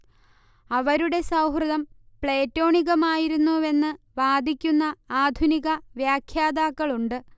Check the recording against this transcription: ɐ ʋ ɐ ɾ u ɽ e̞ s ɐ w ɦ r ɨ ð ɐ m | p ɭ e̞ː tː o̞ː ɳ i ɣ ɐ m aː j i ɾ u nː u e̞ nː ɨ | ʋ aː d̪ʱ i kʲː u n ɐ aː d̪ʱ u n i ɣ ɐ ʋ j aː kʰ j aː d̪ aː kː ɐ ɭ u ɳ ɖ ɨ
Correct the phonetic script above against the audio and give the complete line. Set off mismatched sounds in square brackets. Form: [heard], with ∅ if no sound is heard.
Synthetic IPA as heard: ɐ ʋ ɐ ɾ u ɽ e̞ s ɐ w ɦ r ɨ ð ɐ m | p ɭ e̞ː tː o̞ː ɳ i ɣ ɐ m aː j i ɾ u nː u e̞ nː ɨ | ʋ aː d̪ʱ i kʲː u [nː] ɐ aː d̪ʱ u n i ɣ ɐ ʋ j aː kʰ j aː d̪ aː kː ɐ ɭ u ɳ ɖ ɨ

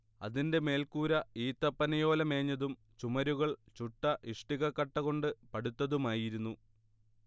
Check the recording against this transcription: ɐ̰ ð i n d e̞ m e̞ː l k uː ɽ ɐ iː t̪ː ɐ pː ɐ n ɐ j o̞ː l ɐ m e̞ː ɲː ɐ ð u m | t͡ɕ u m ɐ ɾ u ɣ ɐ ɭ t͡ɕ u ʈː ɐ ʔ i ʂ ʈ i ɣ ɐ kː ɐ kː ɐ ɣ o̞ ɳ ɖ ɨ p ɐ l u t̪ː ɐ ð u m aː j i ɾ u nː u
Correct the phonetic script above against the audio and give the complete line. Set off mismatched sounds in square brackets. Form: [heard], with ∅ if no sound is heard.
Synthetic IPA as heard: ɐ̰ ð i n d e̞ m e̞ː l k uː [ɾ] ɐ iː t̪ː ɐ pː ɐ n ɐ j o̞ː l ɐ m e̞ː ɲː ɐ ð u m | t͡ɕ u m ɐ ɾ u ɣ ɐ ɭ t͡ɕ u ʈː ɐ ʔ i ʂ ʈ i ɣ ɐ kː ɐ [ʈː] ɐ ɣ o̞ ɳ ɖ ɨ p ɐ [ɽ] u t̪ː ɐ ð u m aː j i ɾ u nː u

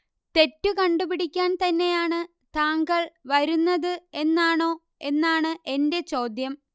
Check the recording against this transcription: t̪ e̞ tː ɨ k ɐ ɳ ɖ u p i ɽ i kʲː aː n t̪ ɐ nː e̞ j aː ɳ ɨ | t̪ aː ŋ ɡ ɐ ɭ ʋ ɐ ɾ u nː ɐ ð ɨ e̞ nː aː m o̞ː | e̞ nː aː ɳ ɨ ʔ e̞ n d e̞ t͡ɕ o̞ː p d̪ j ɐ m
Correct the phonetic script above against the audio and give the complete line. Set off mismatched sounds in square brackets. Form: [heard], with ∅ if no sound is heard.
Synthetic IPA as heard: t̪ e̞ tː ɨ k ɐ ɳ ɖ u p i ɽ i kʲː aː n t̪ ɐ nː e̞ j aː ɳ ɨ | t̪ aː ŋ ɡ ɐ ɭ ʋ ɐ ɾ u nː ɐ ð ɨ e̞ nː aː [ɳ] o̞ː | e̞ nː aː ɳ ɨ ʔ e̞ n d e̞ t͡ɕ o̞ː [∅] d̪ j ɐ m

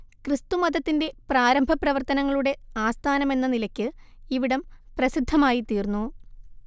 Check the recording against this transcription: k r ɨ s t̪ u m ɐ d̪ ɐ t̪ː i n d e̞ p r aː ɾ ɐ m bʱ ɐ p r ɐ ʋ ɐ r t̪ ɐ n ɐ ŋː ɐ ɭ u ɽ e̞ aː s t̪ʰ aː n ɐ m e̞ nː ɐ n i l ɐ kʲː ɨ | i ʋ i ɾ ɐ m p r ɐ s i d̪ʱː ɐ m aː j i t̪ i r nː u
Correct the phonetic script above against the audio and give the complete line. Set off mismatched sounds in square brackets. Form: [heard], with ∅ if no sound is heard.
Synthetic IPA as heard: k r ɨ s t̪ u m ɐ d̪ ɐ t̪ː i n d e̞ p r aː ɾ ɐ m bʱ ɐ p r ɐ ʋ ɐ r t̪ ɐ n ɐ ŋː ɐ ɭ u ɽ e̞ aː s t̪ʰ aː n ɐ m e̞ nː ɐ n i l ɐ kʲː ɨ | i ʋ i [ɽ] ɐ m p r ɐ s i d̪ʱː ɐ m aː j i t̪ [iː] r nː u

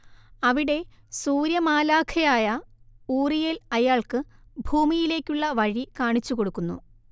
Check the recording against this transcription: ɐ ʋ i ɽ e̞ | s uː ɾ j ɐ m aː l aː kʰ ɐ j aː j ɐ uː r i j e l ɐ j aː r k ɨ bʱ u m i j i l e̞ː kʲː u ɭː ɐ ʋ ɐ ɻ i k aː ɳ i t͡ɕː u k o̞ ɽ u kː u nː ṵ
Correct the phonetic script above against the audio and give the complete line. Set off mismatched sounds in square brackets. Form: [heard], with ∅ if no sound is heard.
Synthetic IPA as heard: ɐ ʋ i ɽ e̞ | s uː ɾ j ɐ m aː l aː kʰ ɐ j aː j ɐ uː r i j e l ɐ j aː [ɭ] k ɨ bʱ [uː] m i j i l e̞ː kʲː u ɭː ɐ ʋ ɐ ɻ i k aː ɳ i t͡ɕː u k o̞ ɽ u kː u nː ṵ

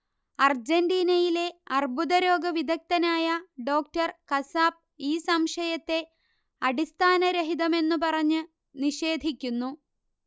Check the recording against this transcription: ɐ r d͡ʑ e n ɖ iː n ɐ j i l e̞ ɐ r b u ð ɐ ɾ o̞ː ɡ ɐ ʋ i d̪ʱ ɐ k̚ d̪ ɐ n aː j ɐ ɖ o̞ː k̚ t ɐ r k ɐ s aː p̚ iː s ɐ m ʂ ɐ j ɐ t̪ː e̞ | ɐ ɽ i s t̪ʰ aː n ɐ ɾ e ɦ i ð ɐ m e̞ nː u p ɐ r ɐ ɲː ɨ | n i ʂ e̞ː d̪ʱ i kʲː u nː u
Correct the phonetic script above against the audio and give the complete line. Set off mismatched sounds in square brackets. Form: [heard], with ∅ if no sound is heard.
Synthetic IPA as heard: ɐ r d͡ʑ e n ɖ iː n ɐ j i l e̞ ɐ r b u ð ɐ ɾ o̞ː ɡ ɐ ʋ i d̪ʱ ɐ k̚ [t̪] ɐ n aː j ɐ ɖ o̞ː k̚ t ɐ r k ɐ s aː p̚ iː s ɐ m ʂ ɐ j ɐ t̪ː e̞ | ɐ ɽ i s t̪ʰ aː n ɐ ɾ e ɦ i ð ɐ m e̞ nː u p ɐ r ɐ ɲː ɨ | n i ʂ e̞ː d̪ʱ i kʲː u nː u

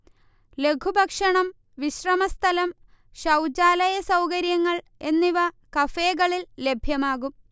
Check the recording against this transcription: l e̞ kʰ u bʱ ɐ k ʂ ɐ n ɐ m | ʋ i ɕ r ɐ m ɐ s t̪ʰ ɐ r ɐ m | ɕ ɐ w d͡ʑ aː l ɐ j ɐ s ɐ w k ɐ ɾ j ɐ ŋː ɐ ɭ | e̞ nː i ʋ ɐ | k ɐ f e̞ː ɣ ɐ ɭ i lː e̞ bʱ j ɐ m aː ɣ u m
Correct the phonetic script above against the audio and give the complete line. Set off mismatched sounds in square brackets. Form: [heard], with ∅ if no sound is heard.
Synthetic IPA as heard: l e̞ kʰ u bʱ ɐ k ʂ ɐ [ɳ] ɐ m | ʋ i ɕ r ɐ m ɐ s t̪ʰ ɐ [l] ɐ m | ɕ ɐ w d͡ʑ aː l ɐ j ɐ s ɐ w k ɐ ɾ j ɐ ŋː ɐ ɭ | e̞ nː i ʋ ɐ | k ɐ f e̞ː ɣ ɐ ɭ i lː e̞ bʱ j ɐ m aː ɣ u m

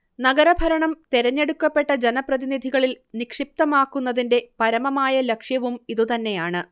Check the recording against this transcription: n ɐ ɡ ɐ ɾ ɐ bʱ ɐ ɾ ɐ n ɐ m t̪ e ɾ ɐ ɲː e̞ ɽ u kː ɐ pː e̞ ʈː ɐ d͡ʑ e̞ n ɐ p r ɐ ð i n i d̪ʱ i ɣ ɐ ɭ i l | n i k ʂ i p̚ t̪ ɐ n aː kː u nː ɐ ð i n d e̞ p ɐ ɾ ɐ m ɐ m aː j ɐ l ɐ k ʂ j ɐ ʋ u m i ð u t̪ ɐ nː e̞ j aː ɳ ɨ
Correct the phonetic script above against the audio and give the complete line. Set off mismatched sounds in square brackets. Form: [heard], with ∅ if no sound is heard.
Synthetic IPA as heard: n ɐ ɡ ɐ ɾ ɐ bʱ ɐ ɾ ɐ [ɳ] ɐ m t̪ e ɾ ɐ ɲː e̞ ɽ u kː ɐ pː e̞ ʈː ɐ d͡ʑ e̞ n ɐ p r ɐ ð i n i d̪ʱ i ɣ ɐ ɭ i l | n i k ʂ i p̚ t̪ ɐ [m] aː kː u nː ɐ ð i n d e̞ p ɐ ɾ ɐ m ɐ m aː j ɐ l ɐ k ʂ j ɐ ʋ u m i ð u t̪ ɐ nː e̞ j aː ɳ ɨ

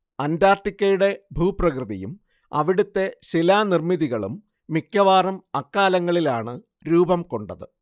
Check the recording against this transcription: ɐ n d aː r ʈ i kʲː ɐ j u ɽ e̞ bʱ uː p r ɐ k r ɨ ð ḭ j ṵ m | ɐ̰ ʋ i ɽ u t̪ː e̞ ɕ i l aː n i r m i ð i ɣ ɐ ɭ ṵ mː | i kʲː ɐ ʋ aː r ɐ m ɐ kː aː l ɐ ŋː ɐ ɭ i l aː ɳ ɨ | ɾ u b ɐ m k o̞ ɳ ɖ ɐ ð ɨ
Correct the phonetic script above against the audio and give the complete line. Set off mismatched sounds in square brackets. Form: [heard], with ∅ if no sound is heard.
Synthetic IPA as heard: ɐ n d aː r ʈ i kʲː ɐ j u ɽ e̞ bʱ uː p r ɐ k r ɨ ð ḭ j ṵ m | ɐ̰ ʋ i ɽ u t̪ː e̞ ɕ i l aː n i r m i ð i ɣ ɐ ɭ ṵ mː | i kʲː ɐ ʋ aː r ɐ m ɐ kː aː l ɐ ŋː ɐ ɭ i l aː ɳ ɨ | ɾ [uː] b ɐ m k o̞ ɳ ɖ ɐ ð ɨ

